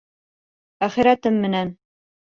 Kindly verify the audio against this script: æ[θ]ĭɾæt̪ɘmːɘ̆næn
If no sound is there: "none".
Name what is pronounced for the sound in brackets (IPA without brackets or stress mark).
χ